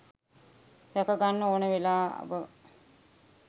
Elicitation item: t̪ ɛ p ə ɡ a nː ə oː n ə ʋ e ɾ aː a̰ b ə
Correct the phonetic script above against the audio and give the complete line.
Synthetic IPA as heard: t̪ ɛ k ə ɡ a nː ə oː n ə ʋ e l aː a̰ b ə

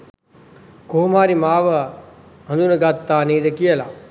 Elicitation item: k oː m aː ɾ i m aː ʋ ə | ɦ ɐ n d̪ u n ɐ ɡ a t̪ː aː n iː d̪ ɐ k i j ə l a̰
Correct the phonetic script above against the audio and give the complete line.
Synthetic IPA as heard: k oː m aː ɾ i m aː ʋ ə | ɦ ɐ n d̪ u n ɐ ɡ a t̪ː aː n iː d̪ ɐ k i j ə l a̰

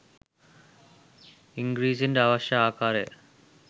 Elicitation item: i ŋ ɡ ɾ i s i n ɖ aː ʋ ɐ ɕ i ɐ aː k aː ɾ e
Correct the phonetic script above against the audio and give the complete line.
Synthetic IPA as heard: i ŋ ɡ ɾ iː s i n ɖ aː ʋ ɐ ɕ j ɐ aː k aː ɾ e

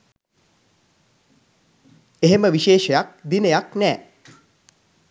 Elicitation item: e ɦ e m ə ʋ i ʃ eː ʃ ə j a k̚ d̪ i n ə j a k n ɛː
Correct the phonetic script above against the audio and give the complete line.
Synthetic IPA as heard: e ɦ e m ə ʋ i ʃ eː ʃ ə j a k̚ d̪ i n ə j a k n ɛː

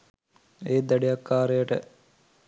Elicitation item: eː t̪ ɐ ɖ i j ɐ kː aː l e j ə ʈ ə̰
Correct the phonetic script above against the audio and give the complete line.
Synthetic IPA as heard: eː d̪ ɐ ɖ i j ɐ kː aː ɾ e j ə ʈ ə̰

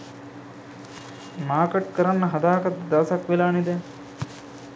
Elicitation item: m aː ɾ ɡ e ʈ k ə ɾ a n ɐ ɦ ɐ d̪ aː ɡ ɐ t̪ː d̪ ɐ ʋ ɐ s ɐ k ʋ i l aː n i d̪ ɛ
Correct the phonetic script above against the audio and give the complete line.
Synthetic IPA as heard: m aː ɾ k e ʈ k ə ɾ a nː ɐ ɦ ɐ d̪ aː k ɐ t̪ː d̪ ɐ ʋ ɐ s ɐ k ʋ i l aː n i d̪ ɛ

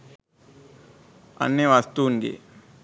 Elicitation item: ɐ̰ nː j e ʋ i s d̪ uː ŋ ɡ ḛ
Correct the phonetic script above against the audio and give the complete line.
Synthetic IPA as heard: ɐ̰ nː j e ʋ a s t̪ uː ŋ ɡ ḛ

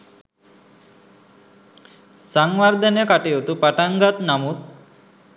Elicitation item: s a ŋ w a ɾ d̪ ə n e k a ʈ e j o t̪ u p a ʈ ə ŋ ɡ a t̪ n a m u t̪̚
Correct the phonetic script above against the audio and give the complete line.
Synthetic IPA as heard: s a ŋ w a ɾ d̪ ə n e k a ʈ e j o t̪ u p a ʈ a ŋ ɡ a t̪ n a m u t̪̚

